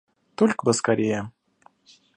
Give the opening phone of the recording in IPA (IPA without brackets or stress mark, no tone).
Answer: t̪